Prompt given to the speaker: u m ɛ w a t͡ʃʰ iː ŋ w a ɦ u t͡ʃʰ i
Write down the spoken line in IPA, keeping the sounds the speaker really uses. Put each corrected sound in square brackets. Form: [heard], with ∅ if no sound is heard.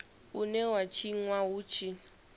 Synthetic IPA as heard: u [n] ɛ w a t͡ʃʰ [i] ŋ w a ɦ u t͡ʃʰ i

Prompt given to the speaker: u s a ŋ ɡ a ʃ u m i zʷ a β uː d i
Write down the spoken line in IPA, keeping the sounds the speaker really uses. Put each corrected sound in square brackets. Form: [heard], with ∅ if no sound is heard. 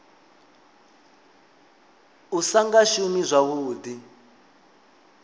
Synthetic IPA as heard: u s a ŋ ɡ a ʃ u m i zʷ a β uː d i

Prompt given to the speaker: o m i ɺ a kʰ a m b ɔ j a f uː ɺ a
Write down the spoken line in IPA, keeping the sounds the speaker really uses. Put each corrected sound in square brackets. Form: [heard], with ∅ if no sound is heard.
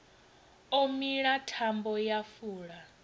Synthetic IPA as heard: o m i ɺ a [tʰ] a m b ɔ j a f uː ɺ a

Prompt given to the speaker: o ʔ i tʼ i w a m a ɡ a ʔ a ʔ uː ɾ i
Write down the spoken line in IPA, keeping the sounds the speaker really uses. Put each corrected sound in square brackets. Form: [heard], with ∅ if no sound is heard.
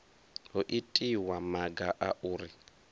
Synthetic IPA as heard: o ʔ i tʼ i w a m a ɡ a ʔ a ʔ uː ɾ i

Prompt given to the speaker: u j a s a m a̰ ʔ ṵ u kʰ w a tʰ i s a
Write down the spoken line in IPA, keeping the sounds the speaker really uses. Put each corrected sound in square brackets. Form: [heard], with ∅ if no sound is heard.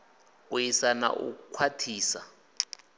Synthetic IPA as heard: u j [i] s a [n] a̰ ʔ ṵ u kʰ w a tʰ [iː] s a

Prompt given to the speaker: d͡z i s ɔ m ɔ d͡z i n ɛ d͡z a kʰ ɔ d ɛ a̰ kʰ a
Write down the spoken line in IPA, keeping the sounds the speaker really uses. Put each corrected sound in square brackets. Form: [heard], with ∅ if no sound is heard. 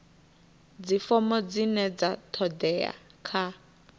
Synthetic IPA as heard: d͡z i [f] ɔ m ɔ d͡z i n ɛ d͡z a [tʰ] ɔ d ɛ a̰ kʰ a

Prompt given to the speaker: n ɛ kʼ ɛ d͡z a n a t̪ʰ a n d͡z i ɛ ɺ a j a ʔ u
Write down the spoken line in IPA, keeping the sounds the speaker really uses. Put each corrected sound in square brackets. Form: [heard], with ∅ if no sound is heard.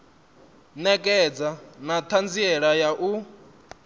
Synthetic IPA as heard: n ɛ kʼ ɛ d͡z a n a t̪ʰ a n d͡z i ɛ ɺ a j a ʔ u

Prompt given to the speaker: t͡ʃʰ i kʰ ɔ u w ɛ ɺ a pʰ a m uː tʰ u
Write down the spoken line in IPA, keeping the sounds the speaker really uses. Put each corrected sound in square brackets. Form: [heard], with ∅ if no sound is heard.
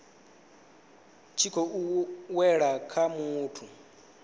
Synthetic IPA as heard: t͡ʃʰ i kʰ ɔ u w ɛ ɺ a [kʰ] a m uː tʰ u

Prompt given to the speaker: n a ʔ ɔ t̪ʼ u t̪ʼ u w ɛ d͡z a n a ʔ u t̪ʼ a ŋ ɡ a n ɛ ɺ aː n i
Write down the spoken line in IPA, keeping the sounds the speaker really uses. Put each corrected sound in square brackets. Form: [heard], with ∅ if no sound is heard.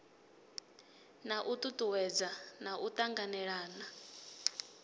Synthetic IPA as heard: n a ʔ [u] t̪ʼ u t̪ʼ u w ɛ d͡z a n a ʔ u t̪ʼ a ŋ ɡ a n ɛ ɺ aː n [a]

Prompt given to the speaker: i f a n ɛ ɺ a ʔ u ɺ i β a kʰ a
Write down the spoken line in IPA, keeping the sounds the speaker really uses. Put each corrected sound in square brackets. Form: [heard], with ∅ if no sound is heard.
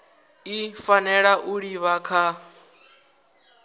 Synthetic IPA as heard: i f a n ɛ ɺ a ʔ u ɺ i β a kʰ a

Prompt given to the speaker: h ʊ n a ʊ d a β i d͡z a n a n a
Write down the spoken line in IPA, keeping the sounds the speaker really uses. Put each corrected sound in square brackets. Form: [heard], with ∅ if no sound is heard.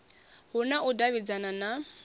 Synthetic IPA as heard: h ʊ n a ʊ d a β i d͡z a n a n a

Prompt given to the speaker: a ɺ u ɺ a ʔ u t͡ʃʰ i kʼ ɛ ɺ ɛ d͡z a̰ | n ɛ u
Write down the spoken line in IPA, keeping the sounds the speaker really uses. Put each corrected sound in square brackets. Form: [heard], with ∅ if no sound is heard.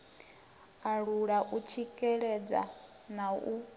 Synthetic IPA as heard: a ɺ u ɺ a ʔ u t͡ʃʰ i kʼ ɛ ɺ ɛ d͡z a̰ | n [a] u

